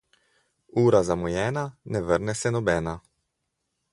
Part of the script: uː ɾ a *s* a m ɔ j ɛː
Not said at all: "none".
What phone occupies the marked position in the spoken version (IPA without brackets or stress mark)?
z